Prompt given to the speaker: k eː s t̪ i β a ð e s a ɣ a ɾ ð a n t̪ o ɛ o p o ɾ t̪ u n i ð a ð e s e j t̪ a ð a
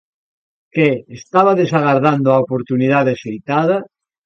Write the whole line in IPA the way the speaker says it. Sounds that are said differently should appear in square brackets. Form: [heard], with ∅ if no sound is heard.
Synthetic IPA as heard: k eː s t̪ [a] β a ð e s a ɣ a ɾ ð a n [d̪] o [a] o p o ɾ t̪ u n i ð a ð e s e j t̪ a ð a

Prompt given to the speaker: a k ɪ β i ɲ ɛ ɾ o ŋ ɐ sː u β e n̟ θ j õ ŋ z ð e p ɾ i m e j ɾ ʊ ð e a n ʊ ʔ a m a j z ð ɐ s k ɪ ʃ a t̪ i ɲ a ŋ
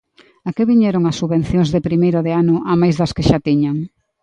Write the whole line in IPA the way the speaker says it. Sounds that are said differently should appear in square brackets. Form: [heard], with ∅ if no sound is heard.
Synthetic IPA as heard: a k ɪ β i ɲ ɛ ɾ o ŋ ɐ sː u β e n̟ θ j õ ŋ z ð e p ɾ i m e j ɾ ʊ ð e a n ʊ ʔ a m a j z ð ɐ s k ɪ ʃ a t̪ i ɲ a ŋ

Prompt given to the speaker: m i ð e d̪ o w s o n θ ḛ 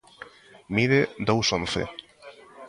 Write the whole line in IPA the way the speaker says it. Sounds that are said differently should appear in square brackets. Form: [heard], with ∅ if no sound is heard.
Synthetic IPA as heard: m i ð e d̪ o w s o n θ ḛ

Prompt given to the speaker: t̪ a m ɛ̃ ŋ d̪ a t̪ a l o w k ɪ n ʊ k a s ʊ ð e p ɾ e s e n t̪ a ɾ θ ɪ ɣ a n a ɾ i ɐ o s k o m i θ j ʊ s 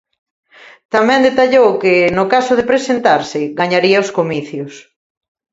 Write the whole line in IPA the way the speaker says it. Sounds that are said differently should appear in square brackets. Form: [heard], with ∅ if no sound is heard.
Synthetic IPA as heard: t̪ a m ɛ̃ [n] d̪ [e] t̪ a [ʎ] o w k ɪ n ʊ k a s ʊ ð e p ɾ e s e n t̪ a ɾ [s] ɪ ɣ a [ɲ] a ɾ i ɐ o s k o m i θ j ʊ s

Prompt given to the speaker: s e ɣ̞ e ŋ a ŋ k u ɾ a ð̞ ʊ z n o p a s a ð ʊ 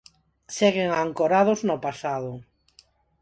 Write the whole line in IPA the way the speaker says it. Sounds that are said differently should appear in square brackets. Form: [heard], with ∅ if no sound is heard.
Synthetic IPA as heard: s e ɣ̞ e ŋ a ŋ k [o] ɾ a ð̞ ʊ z n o p a s a ð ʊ

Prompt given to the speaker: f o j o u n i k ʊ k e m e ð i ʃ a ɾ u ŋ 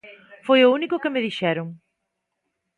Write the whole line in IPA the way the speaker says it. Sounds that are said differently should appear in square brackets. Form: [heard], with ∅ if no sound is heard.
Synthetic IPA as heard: f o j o u n i k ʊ k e m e ð i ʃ [ɛ] ɾ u ŋ

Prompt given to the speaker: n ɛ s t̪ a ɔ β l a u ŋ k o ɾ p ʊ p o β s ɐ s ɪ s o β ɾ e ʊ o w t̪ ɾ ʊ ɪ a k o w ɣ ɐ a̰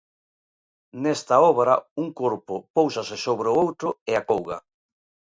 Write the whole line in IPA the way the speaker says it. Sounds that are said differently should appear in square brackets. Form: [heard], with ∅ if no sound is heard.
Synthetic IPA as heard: n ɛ s t̪ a ɔ β [ɾ] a u ŋ k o ɾ p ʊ p o [w] s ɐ s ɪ s o β ɾ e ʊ o w t̪ ɾ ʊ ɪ a k o w ɣ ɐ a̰

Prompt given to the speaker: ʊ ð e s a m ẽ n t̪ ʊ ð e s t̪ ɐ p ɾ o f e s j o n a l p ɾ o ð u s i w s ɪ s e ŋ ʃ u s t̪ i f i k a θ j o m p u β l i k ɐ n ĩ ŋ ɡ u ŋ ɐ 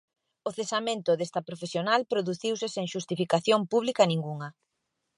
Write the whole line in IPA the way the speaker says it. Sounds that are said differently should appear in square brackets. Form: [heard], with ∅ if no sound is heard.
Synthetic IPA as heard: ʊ [θ] e s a m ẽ n t̪ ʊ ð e s t̪ ɐ p ɾ o f e s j o n a l p ɾ o ð u [θ] i w s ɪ s e ŋ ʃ u s t̪ i f i k a θ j o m p u β l i k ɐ n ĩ ŋ ɡ u ŋ ɐ

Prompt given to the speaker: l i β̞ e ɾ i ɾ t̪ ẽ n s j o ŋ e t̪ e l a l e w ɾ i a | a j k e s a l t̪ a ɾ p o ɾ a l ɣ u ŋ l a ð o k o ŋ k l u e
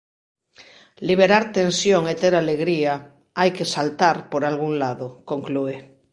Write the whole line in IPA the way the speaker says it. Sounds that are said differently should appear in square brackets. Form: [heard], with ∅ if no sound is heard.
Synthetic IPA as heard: l i β̞ e ɾ [a] ɾ t̪ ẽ n s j o ŋ e t̪ e [ɾ] a l e [ɣ] ɾ i a | a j k e s a l t̪ a ɾ p o ɾ a l ɣ u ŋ l a ð o k o ŋ k l u e

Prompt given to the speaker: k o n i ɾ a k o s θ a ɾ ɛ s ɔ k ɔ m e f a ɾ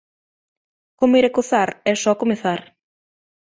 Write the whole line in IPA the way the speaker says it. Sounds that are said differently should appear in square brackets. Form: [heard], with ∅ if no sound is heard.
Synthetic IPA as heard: k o [m] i ɾ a k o [∅] θ a ɾ ɛ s ɔ k [o] m e [θ] a ɾ

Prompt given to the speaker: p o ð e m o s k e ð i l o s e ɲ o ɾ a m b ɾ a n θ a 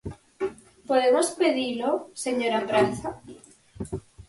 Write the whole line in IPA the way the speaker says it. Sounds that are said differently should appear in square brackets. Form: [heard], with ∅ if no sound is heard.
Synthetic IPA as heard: p o ð e m o s [p] e ð i l o s e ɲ o ɾ a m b ɾ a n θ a

